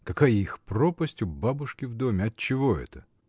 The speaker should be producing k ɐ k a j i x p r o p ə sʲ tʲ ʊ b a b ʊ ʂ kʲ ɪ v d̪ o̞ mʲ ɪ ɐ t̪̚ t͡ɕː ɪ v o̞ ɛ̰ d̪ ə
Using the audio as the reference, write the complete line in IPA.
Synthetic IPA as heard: k ɐ k a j i x p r o p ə sʲ tʲ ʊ b a b ʊ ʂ kʲ ɪ v d̪ o̞ mʲ ɪ ɐ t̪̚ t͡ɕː ɪ v o̞ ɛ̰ t̪ ə